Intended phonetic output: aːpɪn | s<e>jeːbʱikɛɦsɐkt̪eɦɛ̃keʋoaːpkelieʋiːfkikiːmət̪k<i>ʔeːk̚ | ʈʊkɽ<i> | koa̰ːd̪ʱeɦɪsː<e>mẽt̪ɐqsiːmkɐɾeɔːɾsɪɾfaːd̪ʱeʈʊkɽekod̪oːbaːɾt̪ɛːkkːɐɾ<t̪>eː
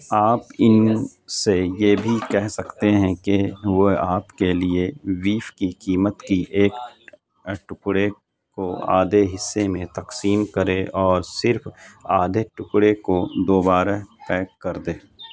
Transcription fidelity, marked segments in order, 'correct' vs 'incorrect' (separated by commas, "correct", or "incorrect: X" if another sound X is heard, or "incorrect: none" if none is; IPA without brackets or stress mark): correct, correct, incorrect: e, correct, incorrect: d̪